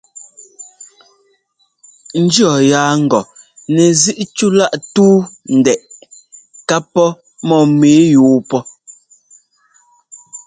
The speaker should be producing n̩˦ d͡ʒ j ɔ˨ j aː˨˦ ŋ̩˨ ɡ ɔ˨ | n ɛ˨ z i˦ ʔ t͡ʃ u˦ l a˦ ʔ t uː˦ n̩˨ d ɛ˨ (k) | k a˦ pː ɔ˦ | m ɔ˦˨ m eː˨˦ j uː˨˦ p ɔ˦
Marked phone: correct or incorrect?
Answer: incorrect